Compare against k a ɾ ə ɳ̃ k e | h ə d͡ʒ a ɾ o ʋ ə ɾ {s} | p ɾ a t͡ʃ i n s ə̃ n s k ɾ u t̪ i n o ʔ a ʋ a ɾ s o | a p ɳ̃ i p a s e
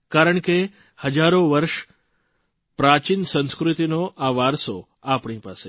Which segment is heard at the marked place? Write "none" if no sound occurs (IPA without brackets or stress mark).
ʃ